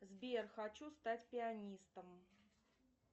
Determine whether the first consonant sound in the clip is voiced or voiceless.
voiced